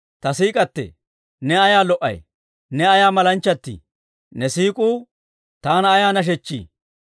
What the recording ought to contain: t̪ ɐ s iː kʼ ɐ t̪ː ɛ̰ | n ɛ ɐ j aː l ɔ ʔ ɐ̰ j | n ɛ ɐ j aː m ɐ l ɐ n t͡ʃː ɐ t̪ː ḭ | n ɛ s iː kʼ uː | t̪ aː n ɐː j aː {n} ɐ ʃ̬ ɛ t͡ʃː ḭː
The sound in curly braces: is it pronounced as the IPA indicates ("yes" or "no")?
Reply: yes